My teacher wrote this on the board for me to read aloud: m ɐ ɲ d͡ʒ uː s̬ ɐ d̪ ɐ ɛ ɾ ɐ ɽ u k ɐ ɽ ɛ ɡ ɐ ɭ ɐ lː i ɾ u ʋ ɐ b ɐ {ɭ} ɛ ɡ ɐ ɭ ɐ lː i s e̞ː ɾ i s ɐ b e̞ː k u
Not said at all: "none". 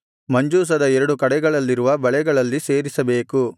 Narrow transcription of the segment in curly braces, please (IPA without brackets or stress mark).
ɭ